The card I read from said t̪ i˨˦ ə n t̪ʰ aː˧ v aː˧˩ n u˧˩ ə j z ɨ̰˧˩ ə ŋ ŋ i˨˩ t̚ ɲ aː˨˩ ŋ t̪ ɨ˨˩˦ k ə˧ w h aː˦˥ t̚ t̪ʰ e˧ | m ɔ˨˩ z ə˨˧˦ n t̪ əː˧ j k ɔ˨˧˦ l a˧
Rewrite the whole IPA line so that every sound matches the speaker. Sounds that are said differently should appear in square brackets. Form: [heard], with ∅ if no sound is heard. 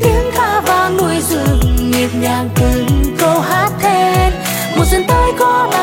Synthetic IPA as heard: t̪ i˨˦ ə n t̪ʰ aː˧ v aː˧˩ n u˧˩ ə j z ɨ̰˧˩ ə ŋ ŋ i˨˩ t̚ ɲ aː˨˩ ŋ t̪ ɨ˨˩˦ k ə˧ w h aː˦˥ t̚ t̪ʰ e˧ | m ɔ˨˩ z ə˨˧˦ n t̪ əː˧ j k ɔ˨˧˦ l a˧